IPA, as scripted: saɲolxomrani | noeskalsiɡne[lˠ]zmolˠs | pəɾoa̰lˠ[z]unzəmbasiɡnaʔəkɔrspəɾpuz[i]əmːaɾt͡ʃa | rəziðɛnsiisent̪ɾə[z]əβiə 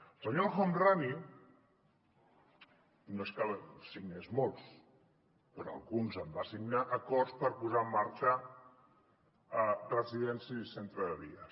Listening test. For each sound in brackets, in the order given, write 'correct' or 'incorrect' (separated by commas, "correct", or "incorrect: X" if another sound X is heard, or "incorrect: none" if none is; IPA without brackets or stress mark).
incorrect: none, incorrect: ɣ, incorrect: a, incorrect: ð